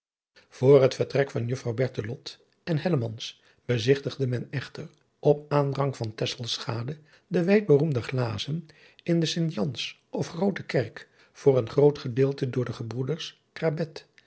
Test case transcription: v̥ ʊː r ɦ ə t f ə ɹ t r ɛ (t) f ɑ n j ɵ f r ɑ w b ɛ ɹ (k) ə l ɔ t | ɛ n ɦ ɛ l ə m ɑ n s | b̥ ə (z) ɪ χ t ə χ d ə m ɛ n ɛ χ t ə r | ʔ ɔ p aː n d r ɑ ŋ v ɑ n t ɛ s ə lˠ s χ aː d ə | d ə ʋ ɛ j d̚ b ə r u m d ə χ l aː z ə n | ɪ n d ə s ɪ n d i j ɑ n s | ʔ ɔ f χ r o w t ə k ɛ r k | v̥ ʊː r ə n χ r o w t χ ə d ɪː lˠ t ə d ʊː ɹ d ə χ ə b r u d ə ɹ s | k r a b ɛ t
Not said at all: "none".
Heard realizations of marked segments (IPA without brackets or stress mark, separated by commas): k, t, z